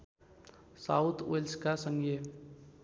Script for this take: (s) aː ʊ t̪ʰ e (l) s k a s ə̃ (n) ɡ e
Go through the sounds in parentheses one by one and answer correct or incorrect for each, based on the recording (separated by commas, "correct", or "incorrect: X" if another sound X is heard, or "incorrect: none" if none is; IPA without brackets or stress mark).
correct, correct, incorrect: ŋ